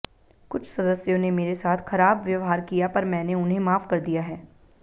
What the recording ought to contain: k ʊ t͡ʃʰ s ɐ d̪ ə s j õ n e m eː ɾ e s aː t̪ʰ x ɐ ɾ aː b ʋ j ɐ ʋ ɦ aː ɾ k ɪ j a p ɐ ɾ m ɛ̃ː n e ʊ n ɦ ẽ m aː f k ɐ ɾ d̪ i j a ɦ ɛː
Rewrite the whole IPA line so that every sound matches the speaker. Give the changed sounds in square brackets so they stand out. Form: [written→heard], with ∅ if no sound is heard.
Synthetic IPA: k ʊ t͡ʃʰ s ɐ d̪ ə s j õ n e m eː ɾ e s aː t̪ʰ x ɐ ɾ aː b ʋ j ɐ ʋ ɦ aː ɾ k [ɪ→i] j a p ɐ ɾ m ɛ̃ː n e ʊ n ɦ ẽ m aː f k ɐ ɾ d̪ i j a ɦ ɛː